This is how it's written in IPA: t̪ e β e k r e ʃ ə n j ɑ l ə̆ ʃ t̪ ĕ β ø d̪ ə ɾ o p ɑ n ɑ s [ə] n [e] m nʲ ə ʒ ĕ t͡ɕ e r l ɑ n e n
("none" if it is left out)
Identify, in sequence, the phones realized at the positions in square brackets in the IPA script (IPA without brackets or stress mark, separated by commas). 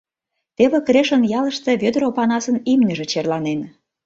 ə, i